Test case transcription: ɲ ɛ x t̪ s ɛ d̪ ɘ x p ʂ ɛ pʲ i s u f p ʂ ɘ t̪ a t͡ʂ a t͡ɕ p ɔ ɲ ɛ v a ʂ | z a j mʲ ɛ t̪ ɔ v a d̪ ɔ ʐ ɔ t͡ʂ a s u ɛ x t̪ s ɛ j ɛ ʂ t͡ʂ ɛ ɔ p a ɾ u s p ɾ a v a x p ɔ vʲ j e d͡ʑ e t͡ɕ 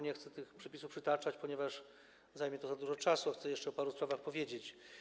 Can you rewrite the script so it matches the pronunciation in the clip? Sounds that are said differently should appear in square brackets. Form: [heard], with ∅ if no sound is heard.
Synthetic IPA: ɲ ɛ x t̪ s ɛ [t̪] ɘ x p ʂ ɛ pʲ i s u f p ʂ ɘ t̪ a t͡ʂ a t͡ɕ p ɔ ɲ ɛ v a ʂ | z a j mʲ ɛ t̪ ɔ [z] a d̪ [u] ʐ ɔ t͡ʂ a s u [a] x t̪ s ɛ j ɛ ʂ t͡ʂ ɛ ɔ p a ɾ u s p ɾ a v a x p ɔ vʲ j e d͡ʑ e t͡ɕ